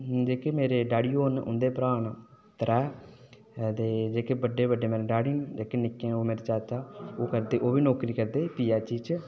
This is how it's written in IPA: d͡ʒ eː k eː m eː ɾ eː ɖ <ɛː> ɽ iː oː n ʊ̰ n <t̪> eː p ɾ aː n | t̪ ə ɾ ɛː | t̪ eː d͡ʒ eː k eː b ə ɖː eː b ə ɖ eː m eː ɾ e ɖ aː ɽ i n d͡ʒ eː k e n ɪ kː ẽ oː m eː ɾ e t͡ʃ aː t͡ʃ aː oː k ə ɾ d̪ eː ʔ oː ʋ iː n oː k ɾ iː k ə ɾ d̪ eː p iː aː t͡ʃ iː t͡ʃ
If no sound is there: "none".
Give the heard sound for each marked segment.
aː, d̪

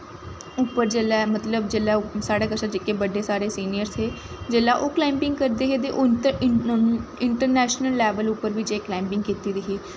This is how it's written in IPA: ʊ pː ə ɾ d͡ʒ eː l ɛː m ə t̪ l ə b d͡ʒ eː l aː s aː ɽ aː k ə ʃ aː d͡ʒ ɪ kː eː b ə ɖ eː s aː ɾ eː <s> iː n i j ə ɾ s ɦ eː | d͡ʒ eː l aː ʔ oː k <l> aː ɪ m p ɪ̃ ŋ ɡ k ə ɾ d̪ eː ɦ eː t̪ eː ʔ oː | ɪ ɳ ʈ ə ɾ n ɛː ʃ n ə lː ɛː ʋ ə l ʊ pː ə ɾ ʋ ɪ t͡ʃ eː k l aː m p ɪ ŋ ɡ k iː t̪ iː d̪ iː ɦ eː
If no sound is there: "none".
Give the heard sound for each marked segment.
s, l

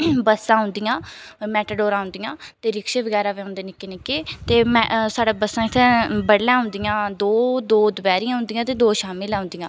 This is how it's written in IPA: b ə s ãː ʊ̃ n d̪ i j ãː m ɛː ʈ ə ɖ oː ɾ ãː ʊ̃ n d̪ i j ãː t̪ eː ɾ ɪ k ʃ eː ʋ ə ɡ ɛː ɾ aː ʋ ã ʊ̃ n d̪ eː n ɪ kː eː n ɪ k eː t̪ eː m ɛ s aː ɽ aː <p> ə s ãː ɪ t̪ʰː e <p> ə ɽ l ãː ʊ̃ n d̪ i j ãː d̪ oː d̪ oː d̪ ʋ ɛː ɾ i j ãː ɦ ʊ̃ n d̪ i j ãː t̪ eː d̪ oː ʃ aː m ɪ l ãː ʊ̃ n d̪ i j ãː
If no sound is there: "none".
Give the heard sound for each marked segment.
b, b

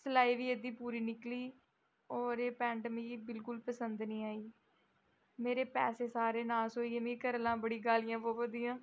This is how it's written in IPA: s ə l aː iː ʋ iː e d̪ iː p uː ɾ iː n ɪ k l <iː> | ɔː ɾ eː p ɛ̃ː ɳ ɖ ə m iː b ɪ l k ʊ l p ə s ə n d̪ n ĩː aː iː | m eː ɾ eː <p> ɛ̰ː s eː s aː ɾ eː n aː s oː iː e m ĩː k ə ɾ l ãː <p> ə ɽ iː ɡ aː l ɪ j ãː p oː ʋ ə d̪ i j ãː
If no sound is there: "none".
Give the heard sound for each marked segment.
iː, p, b

